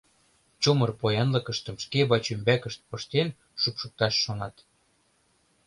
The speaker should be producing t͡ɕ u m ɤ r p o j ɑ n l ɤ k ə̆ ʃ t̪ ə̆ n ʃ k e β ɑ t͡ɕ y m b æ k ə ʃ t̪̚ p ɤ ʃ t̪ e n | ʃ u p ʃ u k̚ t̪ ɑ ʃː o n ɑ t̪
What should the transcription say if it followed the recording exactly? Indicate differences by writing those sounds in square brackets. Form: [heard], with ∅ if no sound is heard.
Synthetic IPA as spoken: t͡ɕ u m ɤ r p o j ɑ n l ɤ k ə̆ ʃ t̪ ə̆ [m] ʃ k e β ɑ t͡ɕ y m b æ k ə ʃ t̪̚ p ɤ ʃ t̪ e n | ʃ u p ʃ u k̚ t̪ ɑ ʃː o n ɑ t̪